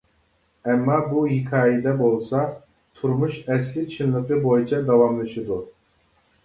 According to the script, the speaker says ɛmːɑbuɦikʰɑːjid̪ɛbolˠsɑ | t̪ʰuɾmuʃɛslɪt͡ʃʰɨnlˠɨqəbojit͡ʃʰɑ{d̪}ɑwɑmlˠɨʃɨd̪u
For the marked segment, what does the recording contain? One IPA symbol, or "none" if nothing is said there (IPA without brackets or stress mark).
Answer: d̪